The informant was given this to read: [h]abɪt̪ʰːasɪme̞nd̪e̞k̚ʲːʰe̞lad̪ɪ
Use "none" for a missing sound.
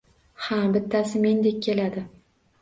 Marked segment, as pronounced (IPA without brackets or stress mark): h